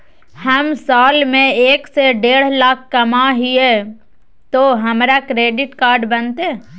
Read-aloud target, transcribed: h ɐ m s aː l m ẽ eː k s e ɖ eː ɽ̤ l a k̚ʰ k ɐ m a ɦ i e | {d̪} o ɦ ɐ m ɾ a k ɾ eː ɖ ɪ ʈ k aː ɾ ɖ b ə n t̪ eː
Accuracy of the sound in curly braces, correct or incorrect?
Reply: incorrect